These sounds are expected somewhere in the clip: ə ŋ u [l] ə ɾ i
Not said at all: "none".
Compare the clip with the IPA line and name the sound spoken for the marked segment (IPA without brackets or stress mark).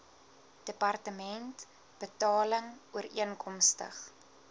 none